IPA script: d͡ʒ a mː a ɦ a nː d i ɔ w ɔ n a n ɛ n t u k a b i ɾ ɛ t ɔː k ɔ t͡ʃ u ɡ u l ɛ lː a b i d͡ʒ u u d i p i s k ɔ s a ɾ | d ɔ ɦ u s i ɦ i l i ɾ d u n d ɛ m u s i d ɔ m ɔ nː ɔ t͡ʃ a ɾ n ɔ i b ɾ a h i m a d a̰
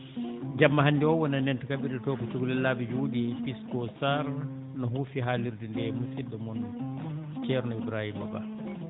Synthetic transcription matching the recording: d͡ʒ a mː a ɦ a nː d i ɔ w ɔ n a n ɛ n t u k a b i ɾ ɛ t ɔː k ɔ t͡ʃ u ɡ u l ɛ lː a b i d͡ʒ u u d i p i s k ɔ s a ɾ | n ɔ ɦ u f i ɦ a l i ɾ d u n d ɛ m u s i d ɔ m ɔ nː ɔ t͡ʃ ɛ ɾ n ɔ i b ɾ a h i m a b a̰

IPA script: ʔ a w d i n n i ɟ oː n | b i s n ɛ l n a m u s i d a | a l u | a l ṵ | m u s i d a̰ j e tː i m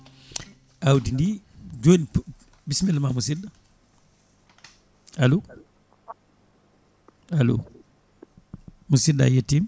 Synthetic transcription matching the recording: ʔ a w d i n d i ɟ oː n | b i s m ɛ l m a m u s i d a | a l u | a l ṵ | m u s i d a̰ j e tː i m

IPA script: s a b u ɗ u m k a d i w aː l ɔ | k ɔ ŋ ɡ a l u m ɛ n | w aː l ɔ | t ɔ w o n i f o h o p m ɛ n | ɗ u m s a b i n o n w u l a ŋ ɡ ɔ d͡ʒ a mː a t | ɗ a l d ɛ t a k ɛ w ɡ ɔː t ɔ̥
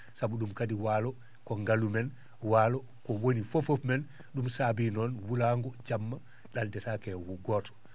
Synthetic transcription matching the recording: s a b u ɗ u m k a d i w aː l ɔ | k ɔ ŋ ɡ a l u m ɛ n | w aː l ɔ | k ɔ w o n i f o f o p m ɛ n | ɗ u m s a b i n ɔ n w u l a ŋ ɡ ɔ d͡ʒ a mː a | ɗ a l d ɛ t a k ɛ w ɡ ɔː t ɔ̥

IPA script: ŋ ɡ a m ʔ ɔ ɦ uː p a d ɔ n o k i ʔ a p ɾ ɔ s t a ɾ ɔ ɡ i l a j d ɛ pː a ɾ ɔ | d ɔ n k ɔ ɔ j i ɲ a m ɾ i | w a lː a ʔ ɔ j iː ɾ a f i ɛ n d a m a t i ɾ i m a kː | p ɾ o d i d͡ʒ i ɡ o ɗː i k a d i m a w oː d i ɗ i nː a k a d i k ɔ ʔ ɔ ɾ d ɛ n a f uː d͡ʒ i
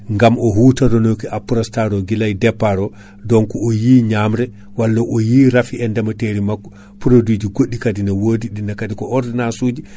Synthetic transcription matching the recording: ŋ ɡ a m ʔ ɔ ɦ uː t a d ɔ n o k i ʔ a p ɾ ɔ s t a ɾ ɔ ɡ i l a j d ɛ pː a ɾ ɔ | d ɔ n k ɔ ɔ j i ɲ a m ɾ ɛ | w a lː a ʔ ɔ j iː ɾ a f i ɛ n d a m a t e ɾ i m a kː | p ɾ o d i d͡ʒ i ɡ o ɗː i k a d i n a w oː d i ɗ i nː a k a d i k ɔ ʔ ɔ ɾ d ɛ n a s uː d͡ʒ i

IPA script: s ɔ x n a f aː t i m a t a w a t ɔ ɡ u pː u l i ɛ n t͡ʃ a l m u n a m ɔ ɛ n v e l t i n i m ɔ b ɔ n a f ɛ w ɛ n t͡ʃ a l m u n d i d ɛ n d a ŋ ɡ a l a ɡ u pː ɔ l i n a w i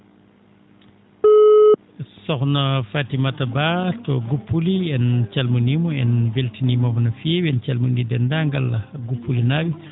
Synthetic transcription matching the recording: s ɔ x n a f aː t i m a t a b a t ɔ ɡ u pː u l i ɛ n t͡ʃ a l m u n i m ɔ ɛ n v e l t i n i m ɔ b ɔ n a f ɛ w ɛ n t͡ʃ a l m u n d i d ɛ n d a ŋ ɡ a l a ɡ u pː u l i n a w i

